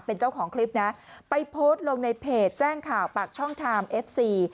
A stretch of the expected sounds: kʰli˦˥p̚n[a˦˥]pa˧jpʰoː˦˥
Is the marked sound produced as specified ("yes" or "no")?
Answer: yes